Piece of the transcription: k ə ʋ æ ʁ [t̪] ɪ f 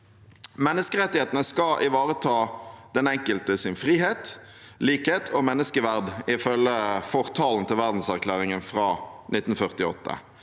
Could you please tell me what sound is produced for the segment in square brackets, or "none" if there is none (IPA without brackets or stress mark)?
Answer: d̪